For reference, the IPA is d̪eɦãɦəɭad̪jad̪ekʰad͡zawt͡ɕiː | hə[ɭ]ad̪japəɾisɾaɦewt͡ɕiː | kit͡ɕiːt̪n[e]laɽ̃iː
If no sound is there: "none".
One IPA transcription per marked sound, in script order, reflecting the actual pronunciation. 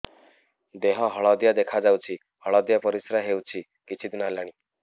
ɭ, a

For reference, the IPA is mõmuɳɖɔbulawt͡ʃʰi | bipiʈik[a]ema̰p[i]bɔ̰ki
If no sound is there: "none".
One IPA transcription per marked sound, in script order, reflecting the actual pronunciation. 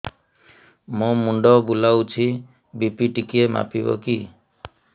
i, i

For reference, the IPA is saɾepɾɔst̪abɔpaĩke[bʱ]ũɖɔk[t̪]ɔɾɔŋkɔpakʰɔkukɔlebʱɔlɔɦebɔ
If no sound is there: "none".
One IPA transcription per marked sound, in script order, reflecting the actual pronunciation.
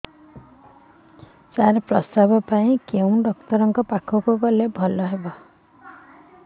none, t̪

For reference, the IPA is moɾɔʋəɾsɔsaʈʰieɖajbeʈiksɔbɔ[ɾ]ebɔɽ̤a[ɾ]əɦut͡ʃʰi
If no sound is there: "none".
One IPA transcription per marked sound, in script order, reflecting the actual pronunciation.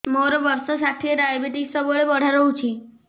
ɭ, ɾ

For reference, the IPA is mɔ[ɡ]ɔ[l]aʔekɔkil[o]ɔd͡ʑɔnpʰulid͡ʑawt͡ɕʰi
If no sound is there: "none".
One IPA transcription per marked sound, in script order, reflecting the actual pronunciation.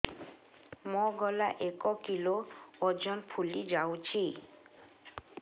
ɡ, l, o

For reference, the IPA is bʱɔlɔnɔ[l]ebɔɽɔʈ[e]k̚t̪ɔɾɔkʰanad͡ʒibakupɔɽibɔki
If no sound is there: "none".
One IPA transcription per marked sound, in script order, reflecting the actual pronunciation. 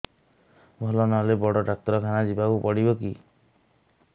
l, a

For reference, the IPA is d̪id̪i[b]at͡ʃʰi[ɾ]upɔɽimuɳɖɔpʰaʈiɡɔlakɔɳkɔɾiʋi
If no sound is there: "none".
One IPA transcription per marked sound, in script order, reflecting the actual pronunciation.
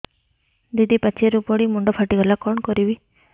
p, ɾ

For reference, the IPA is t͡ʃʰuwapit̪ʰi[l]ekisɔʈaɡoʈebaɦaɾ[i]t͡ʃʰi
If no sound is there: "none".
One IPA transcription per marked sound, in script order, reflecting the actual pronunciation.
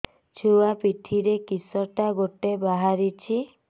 ɾ, i

